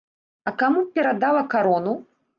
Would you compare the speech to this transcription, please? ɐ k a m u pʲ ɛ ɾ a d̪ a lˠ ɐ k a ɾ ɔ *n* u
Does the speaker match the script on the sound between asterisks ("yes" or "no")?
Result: yes